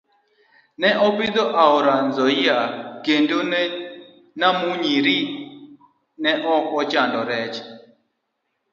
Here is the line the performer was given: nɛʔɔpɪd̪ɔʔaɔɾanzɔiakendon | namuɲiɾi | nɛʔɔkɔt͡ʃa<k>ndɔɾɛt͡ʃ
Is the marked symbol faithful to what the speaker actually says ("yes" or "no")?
no